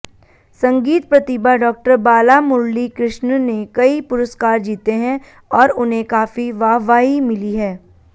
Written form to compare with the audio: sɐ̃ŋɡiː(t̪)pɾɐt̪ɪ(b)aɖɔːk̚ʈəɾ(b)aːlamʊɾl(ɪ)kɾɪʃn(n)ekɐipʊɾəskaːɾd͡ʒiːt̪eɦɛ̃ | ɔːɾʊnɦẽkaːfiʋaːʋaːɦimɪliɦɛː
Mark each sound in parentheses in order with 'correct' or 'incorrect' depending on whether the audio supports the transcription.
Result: correct, correct, correct, incorrect: i, correct

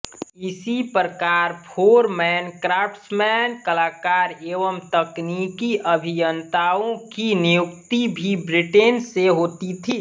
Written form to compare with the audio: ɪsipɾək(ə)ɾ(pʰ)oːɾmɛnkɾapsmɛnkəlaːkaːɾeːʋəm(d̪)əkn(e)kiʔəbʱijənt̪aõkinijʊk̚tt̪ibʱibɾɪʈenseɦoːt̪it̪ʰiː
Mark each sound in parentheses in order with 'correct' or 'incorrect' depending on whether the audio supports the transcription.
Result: incorrect: a, correct, incorrect: t̪, incorrect: i

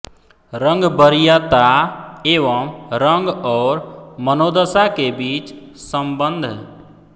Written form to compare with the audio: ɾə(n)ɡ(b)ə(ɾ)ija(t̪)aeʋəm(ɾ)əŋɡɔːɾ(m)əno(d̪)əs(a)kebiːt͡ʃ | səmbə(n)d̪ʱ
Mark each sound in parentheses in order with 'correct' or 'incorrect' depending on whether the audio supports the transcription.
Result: incorrect: ŋ, correct, correct, correct, correct, correct, correct, correct, correct

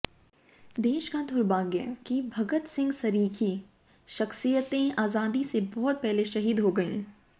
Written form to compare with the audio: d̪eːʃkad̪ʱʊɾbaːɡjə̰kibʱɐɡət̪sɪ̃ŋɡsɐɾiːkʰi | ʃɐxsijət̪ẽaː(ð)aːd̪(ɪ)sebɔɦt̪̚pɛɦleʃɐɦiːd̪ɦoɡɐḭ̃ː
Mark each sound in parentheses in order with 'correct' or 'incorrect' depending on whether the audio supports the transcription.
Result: incorrect: z, incorrect: i

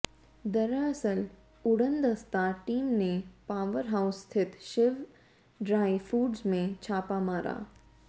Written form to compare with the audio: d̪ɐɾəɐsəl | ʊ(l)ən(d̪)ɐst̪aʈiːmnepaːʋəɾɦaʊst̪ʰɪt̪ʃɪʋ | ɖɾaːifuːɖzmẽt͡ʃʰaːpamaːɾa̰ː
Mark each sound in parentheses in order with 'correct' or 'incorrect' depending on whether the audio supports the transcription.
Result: incorrect: ɽ, correct

